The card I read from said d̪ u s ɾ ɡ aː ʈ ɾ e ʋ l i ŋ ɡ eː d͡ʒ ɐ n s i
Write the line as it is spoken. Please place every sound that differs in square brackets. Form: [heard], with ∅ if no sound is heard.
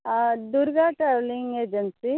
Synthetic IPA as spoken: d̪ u [∅] ɾ ɡ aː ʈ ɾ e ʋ l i ŋ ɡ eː d͡ʒ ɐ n s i